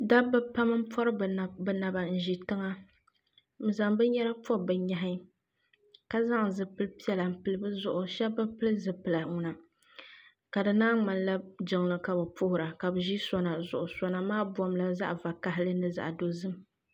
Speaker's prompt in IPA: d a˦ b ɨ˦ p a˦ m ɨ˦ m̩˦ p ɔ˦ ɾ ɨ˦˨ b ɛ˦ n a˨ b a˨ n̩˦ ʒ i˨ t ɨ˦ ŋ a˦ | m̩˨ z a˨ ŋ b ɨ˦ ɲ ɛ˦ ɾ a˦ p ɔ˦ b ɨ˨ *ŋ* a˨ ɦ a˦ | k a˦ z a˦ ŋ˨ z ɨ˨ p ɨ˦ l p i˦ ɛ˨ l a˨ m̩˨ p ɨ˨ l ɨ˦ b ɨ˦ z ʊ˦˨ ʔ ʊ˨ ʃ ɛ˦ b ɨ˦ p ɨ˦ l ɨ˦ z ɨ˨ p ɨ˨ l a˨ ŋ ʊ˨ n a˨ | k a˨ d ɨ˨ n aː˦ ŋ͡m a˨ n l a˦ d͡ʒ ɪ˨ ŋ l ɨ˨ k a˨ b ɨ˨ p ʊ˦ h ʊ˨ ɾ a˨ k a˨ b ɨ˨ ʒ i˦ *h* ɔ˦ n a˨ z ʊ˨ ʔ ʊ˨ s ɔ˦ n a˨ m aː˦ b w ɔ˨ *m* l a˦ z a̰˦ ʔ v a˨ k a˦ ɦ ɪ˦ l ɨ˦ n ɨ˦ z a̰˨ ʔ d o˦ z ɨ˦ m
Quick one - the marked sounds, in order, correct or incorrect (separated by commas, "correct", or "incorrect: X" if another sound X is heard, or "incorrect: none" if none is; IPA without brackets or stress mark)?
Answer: incorrect: ɲ, incorrect: s, correct